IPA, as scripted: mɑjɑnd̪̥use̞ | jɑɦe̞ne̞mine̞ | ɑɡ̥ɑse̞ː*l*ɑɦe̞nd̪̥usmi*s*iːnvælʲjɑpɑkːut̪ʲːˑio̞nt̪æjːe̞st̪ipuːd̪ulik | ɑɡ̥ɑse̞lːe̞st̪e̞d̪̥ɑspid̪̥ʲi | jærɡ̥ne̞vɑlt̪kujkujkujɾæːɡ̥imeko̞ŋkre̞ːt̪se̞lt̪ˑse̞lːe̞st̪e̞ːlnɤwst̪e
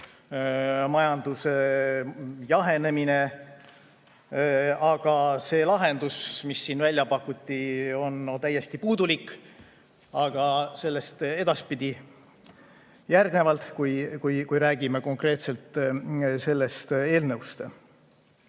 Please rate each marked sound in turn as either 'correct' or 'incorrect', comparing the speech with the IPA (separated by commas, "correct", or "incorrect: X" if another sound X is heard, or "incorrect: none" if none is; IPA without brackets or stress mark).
correct, incorrect: sː